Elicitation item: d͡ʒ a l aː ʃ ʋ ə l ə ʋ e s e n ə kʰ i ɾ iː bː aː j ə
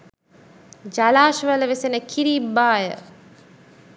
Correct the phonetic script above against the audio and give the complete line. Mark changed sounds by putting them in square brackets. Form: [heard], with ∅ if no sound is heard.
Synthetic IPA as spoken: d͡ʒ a l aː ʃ ʋ ə l ə ʋ e s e n ə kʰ i ɾ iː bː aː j ə